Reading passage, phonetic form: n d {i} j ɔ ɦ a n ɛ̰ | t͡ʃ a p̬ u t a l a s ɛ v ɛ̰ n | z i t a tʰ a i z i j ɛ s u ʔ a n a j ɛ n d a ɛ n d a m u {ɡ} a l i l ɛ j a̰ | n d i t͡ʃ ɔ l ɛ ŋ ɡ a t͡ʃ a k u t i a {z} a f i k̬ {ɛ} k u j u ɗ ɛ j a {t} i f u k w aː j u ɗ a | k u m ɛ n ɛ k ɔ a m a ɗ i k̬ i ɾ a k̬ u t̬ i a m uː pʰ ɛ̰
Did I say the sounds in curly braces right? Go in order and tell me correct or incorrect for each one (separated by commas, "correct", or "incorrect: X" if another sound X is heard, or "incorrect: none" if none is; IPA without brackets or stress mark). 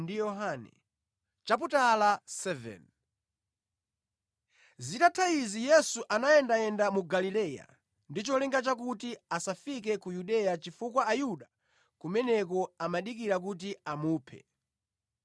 correct, correct, incorrect: s, correct, incorrect: t͡ʃ